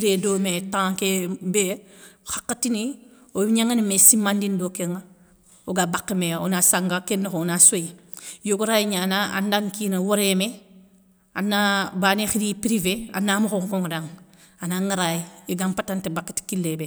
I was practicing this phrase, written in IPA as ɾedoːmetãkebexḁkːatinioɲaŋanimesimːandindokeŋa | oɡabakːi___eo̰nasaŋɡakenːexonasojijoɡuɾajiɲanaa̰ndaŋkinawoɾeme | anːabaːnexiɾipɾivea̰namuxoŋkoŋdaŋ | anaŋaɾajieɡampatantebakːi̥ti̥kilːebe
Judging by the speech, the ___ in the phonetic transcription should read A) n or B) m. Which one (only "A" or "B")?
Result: B